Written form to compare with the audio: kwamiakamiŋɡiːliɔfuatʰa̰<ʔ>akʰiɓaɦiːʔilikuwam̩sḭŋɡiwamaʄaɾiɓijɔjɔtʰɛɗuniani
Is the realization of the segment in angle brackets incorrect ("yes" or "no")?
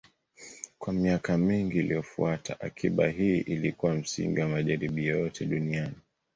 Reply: no